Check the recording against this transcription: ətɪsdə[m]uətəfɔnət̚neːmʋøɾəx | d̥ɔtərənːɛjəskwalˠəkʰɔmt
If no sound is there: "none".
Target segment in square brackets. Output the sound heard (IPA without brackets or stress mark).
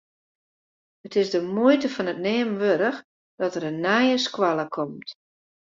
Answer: m